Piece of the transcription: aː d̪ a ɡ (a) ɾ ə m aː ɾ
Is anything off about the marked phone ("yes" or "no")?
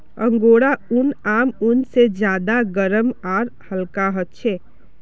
yes